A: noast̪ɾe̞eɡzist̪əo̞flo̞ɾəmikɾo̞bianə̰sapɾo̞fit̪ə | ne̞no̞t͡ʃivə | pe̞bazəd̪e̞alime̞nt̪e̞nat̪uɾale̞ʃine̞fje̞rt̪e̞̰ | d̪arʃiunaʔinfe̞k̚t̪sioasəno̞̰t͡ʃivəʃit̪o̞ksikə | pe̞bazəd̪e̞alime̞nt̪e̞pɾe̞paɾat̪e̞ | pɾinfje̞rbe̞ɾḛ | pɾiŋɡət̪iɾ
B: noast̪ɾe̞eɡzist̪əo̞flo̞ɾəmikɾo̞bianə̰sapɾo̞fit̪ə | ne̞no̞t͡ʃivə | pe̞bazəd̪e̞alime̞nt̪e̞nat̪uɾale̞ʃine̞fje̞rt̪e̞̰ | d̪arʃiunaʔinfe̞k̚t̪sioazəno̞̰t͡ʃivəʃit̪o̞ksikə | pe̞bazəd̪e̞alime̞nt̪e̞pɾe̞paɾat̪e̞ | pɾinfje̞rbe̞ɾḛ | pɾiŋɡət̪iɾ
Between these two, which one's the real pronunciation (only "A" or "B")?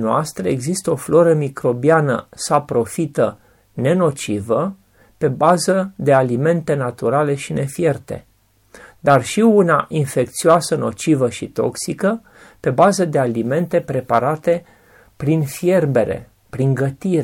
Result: A